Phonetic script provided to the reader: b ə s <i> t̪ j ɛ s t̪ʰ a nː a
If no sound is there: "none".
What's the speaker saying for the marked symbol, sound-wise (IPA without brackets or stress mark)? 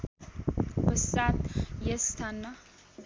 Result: a